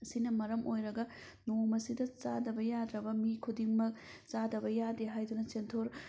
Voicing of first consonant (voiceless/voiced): voiceless